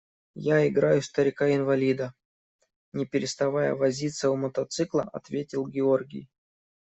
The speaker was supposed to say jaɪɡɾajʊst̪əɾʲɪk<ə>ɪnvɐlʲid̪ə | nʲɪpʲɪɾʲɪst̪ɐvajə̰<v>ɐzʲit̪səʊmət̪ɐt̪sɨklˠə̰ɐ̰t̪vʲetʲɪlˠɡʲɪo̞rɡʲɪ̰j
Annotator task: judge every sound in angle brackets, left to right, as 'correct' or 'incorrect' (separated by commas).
incorrect, correct